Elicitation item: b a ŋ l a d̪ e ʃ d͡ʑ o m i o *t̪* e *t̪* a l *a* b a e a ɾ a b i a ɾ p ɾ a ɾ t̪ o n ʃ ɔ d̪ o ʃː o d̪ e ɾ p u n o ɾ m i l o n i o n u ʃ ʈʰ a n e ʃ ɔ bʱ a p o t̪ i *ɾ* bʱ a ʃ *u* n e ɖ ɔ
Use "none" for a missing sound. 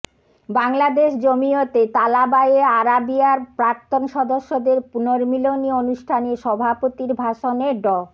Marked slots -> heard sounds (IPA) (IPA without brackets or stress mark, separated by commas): t̪, t̪, a, ɾ, o